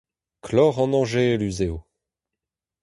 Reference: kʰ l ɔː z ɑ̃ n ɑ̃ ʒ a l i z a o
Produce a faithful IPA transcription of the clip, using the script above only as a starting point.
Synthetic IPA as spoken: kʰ l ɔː ʁ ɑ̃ n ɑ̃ ʒ e l y z e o